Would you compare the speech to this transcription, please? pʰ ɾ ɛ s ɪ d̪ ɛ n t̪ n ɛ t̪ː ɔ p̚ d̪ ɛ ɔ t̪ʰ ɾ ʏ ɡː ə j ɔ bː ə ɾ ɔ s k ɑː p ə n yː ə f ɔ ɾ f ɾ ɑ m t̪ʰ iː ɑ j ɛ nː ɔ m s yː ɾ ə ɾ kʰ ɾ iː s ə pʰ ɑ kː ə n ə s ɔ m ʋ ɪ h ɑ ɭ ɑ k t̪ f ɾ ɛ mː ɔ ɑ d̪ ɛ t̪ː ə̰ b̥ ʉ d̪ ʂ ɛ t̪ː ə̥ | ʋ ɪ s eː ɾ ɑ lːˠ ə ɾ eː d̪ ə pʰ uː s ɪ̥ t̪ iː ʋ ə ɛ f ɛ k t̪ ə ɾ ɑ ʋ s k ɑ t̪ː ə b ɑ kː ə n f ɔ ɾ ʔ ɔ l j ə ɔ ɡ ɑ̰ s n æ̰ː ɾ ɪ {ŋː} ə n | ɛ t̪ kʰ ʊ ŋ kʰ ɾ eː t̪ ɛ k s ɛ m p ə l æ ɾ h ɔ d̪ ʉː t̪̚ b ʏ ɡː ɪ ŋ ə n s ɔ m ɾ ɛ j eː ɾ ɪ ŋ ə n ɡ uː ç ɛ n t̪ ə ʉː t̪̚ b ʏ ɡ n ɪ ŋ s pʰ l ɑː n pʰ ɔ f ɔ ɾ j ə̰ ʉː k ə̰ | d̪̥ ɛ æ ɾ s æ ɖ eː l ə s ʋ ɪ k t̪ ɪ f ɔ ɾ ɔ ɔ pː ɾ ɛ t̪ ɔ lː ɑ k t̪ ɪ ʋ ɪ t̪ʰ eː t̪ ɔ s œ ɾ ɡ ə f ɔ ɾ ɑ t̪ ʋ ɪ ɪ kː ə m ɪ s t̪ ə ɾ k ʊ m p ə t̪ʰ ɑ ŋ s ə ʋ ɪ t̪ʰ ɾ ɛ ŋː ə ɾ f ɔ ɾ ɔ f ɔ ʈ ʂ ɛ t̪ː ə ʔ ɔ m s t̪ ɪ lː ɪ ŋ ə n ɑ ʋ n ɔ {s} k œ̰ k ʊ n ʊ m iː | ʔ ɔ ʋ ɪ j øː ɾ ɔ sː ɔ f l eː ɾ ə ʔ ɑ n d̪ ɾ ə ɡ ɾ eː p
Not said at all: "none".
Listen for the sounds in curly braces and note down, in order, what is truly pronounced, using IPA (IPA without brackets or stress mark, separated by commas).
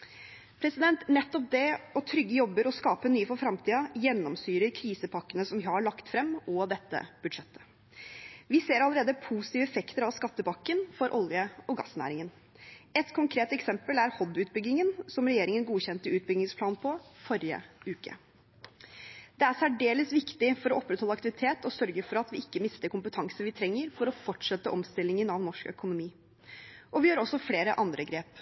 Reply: ŋ, ʂ